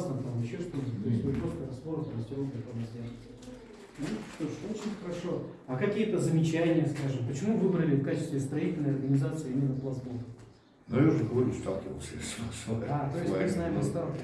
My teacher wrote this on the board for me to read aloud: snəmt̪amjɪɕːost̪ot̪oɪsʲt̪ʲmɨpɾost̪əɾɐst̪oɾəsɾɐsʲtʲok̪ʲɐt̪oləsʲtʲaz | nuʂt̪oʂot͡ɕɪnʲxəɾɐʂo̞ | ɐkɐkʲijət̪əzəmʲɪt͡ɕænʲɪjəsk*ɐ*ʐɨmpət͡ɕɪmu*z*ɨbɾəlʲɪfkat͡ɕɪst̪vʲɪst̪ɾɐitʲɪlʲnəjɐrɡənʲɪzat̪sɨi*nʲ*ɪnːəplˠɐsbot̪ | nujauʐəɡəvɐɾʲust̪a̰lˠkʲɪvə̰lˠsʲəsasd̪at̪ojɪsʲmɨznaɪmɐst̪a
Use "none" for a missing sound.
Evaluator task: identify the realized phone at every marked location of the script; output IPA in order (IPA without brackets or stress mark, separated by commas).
a, v, mʲ